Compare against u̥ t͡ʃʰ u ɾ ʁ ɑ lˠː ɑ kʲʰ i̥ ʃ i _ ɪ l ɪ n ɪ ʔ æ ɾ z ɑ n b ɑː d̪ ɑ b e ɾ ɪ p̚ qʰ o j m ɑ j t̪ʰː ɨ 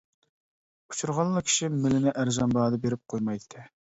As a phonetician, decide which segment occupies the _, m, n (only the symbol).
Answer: m